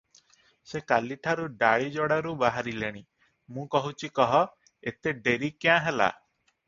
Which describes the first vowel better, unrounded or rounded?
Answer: unrounded